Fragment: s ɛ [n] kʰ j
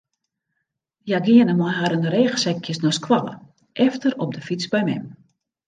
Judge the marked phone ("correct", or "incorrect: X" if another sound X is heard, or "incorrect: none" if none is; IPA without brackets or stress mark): incorrect: none